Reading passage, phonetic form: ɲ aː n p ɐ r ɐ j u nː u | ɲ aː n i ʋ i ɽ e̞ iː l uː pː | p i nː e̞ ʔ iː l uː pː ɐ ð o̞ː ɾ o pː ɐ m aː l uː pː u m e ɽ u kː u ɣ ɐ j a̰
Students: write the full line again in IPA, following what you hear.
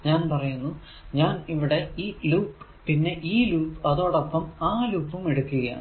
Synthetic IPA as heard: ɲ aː n p ɐ r ɐ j u nː u | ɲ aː n i ʋ i ɽ e̞ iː l uː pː | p i nː e̞ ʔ iː l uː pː ɐ ð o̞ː ɽ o pː ɐ m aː l uː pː u m e ɽ u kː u ɣ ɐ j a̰